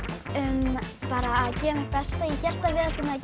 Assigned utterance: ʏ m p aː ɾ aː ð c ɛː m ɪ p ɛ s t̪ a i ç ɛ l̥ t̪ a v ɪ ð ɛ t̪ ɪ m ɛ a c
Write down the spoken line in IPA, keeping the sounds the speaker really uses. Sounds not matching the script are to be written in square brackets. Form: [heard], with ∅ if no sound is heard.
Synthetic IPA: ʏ m p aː ɾ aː ð c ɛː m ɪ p ɛ s t̪ a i ç ɛ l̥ t̪ a v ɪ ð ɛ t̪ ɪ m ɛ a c

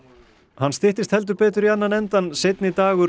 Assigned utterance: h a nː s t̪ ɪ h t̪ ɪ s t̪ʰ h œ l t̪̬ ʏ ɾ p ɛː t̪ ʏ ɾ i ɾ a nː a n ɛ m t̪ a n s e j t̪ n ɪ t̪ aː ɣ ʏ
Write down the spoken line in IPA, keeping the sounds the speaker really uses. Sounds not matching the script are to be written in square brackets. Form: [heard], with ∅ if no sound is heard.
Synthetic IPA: h a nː s t̪ ɪ h t̪ ɪ s [t̪] h [ɛ] l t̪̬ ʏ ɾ p ɛː t̪ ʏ ɾ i [∅] a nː a n ɛ [n] t̪ a n s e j t̪ n ɪ t̪ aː ɣ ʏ

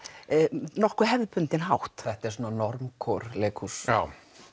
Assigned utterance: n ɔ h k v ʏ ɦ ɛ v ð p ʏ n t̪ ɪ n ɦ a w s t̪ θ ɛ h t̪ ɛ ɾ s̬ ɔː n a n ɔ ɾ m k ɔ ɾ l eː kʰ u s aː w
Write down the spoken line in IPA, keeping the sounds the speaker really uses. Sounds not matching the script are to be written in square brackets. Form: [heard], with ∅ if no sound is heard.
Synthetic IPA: n ɔ h k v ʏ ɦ ɛ v ð p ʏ n t̪ ɪ n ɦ a w [h] t̪ θ ɛ h t̪ ɛ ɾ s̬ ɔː n a n ɔ ɾ m [kʰ] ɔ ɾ l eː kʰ u s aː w

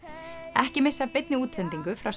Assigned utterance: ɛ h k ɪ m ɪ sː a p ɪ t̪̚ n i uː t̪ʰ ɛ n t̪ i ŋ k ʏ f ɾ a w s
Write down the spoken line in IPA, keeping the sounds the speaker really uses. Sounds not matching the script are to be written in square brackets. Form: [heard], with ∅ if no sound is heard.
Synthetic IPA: ɛ h [c] ɪ m ɪ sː a p ɪ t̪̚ n [ɪ] uː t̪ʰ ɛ n t̪ i ŋ k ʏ f ɾ a w s

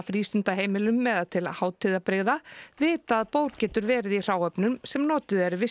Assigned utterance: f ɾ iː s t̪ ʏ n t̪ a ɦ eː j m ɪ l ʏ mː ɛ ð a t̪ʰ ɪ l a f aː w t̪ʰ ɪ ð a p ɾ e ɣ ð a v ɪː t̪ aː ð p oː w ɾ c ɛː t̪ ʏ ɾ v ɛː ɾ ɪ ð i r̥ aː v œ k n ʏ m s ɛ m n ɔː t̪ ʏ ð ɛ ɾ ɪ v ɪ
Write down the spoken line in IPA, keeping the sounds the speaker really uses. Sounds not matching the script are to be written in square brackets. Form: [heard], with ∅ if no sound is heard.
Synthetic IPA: f ɾ iː s t̪ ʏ n t̪ a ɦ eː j m ɪ l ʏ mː ɛ ð a t̪ʰ ɪ l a [h] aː w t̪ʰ ɪ ð a p ɾ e ɣ ð a v ɪː t̪ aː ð p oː w ɾ c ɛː t̪ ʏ ɾ v ɛː ɾ ɪ ð i r̥ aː [w] œ [p] n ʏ m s ɛ m n ɔː t̪ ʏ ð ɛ ɾ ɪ v ɪ

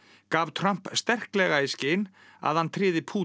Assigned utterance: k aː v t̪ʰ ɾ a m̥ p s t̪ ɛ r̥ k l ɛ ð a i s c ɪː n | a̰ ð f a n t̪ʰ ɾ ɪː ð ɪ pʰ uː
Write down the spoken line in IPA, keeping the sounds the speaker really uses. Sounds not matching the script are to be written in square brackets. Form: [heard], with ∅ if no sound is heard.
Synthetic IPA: k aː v t̪ʰ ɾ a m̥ p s t̪ ɛ r̥ k l ɛ [ɣ] a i s c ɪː n | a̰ ð [h] a n t̪ʰ ɾ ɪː ð ɪ pʰ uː

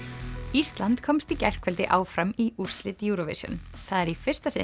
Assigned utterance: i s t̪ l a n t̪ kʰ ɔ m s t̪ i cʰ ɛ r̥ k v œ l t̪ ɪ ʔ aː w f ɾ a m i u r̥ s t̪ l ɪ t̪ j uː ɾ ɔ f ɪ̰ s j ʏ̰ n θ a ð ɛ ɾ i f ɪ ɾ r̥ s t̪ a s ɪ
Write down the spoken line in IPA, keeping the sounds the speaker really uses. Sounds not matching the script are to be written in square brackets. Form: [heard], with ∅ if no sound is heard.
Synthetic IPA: i s t̪ l a n t̪ kʰ ɔ m s t̪ i [c] ɛ r̥ k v [ɛ] l t̪ ɪ ʔ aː w f ɾ a m i u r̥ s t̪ l ɪ t̪ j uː ɾ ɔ [v] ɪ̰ s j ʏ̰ n θ a ð ɛ ɾ i f ɪ [∅] r̥ s t̪ a s ɪ

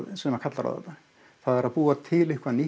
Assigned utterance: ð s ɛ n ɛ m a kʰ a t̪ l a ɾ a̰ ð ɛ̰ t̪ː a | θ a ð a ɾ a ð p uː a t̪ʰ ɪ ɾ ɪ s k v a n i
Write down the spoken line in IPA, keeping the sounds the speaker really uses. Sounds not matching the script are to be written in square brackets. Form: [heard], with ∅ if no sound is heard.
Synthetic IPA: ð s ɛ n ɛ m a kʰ a t̪ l a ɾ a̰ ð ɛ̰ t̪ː a | θ a ð [ɛ] ɾ a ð p uː a t̪ʰ ɪ [l] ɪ [h] k v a n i

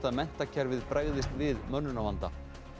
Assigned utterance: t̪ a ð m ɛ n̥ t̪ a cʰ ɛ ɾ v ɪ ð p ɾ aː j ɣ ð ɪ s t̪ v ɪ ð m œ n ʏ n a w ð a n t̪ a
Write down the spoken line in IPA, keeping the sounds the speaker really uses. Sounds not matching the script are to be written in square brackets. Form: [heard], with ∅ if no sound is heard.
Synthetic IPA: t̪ a ð m ɛ n̥ t̪ a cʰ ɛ ɾ v ɪ ð p ɾ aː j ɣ ð ɪ s t̪ v ɪ ð m œ [nː] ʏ n a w [v] a n t̪ a

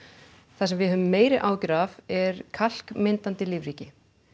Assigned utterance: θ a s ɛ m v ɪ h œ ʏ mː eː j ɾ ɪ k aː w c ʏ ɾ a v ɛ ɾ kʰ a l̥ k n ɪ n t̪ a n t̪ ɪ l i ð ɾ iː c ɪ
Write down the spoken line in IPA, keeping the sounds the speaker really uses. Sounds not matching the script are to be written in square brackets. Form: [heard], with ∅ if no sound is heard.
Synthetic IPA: θ a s ɛ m v ɪ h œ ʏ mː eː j ɾ ɪ [ʔ] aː w c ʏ ɾ a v ɛ ɾ kʰ a l̥ k [m] ɪ n t̪ a n t̪ ɪ l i [v] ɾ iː c ɪ

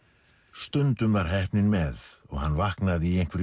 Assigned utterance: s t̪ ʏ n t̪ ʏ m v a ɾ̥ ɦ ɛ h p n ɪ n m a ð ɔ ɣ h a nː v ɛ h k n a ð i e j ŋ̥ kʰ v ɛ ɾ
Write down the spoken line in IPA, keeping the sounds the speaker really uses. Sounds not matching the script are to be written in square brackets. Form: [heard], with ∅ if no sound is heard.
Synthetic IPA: s t̪ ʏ n t̪ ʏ m v a ɾ̥ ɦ ɛ h p n ɪ n m [ɛ] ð ɔ ɣ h a nː v [a] h k n a ð i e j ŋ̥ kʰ v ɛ ɾ

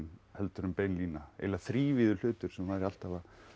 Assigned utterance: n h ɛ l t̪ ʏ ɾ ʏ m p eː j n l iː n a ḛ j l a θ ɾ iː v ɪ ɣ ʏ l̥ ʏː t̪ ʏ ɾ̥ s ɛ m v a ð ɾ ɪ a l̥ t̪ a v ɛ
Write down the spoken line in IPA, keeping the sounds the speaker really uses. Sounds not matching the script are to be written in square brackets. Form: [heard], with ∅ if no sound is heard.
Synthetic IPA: n h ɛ l t̪ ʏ ɾ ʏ m p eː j n l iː n a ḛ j l a θ ɾ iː v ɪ [ð] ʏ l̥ ʏː t̪ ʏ ɾ̥ s ɛ m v a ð ɾ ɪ a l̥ t̪ a v [a]

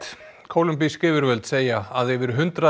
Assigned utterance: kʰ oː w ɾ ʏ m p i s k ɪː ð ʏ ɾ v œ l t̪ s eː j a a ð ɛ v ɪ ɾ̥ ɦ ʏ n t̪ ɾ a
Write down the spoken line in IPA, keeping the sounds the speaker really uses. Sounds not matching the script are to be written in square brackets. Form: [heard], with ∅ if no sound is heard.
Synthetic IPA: kʰ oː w [l] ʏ m p i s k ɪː [v] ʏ ɾ v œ l t̪ s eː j a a ð ɛ v ɪ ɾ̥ ɦ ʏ n t̪ ɾ a

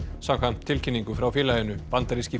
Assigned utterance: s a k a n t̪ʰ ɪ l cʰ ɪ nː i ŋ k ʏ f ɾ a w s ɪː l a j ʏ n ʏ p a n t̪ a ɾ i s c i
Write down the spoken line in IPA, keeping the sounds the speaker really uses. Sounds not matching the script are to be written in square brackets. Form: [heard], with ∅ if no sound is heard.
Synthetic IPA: s a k a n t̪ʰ ɪ l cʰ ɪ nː i ŋ k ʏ f ɾ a w [f] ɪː l a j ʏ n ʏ p a n t̪ a ɾ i s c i

